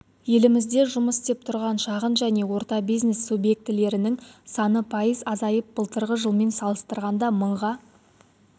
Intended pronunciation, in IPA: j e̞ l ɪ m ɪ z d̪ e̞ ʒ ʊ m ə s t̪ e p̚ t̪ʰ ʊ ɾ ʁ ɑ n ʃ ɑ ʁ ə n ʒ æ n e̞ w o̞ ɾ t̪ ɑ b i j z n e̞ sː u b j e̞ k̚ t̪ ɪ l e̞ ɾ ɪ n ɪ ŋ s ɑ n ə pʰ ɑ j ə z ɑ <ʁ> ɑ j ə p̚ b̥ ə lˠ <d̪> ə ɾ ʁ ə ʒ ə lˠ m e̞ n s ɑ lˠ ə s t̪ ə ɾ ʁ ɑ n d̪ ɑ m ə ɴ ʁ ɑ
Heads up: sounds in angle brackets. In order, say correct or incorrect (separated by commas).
incorrect, incorrect